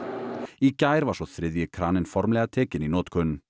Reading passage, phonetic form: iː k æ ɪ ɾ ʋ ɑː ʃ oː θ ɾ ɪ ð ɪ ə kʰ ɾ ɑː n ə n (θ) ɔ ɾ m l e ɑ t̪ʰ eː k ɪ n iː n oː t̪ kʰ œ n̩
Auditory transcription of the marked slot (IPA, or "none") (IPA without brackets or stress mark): f